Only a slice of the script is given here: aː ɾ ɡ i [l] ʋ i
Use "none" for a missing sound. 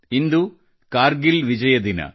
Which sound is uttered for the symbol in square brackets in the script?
l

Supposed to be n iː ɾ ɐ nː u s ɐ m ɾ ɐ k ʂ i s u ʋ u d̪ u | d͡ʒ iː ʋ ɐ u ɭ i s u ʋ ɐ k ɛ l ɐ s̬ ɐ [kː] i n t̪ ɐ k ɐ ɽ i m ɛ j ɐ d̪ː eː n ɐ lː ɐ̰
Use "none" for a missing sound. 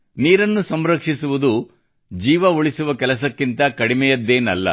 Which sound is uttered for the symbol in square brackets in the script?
kː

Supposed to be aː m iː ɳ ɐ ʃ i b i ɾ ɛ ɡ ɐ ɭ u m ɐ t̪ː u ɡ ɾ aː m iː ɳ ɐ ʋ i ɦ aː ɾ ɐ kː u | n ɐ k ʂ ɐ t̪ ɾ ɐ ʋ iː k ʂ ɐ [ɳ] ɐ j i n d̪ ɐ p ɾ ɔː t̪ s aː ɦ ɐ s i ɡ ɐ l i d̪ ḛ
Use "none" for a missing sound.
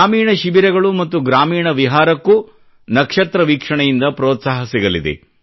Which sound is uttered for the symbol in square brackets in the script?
ɳ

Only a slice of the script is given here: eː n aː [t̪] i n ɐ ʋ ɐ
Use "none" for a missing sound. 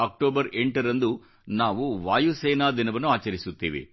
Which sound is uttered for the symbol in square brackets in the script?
d̪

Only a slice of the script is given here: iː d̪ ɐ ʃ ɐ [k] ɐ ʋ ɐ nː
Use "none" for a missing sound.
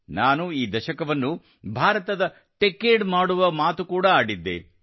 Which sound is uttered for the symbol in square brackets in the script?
k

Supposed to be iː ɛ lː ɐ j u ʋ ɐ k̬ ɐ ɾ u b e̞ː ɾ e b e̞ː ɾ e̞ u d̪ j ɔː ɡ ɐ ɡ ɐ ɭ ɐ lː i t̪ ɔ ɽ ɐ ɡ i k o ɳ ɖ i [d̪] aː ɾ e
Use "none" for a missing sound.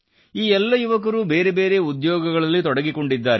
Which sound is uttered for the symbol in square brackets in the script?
d̪ː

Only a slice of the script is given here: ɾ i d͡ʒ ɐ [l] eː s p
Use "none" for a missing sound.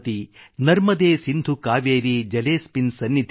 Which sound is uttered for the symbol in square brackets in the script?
l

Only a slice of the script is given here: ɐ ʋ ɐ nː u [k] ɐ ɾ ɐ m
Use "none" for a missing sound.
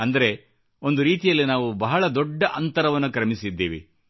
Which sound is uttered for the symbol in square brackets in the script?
k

